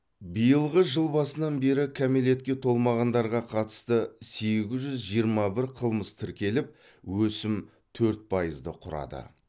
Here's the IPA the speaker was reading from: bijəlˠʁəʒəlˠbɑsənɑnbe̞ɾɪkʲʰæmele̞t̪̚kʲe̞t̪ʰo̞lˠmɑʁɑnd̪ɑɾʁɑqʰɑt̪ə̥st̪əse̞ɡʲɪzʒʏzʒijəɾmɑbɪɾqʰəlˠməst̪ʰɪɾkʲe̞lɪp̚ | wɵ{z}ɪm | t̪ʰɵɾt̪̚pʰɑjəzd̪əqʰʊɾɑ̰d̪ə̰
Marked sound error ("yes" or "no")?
yes